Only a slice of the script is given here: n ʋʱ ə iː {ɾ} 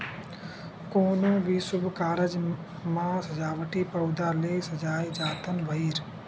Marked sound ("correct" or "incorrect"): correct